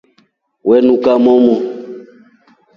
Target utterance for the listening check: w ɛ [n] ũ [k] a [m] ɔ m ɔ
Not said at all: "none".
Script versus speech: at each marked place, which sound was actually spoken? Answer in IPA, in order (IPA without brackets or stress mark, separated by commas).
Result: n, k, m